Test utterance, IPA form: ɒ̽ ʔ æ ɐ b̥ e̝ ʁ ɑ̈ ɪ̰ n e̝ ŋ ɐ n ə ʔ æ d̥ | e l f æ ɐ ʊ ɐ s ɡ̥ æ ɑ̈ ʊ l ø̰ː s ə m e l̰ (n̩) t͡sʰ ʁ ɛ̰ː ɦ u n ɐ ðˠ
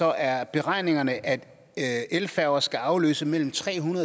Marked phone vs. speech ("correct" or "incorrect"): incorrect